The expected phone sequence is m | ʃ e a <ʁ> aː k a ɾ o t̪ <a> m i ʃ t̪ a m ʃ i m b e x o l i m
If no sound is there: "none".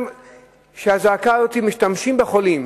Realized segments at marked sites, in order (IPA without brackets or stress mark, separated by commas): z, i